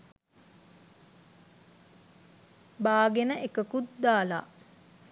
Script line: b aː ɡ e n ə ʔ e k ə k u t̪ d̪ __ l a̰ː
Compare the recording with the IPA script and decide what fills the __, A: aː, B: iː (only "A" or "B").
A